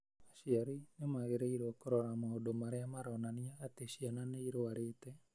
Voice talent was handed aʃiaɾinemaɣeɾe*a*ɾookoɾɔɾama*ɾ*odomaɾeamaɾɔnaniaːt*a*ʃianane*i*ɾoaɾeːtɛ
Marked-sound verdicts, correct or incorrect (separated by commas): incorrect, incorrect, incorrect, correct